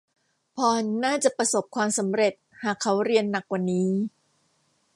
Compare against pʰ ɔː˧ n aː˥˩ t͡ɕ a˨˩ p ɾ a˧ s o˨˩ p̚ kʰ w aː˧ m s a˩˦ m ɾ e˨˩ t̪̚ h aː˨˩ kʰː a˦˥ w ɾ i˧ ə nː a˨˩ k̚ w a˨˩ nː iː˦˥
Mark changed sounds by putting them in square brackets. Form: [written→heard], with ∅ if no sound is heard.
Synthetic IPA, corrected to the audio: pʰ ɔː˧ n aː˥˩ t͡ɕ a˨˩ p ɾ a˧ s o˨˩ p̚ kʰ w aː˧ m s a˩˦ m ɾ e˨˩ t̪̚ h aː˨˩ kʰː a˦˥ w ɾ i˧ ə nː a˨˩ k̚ w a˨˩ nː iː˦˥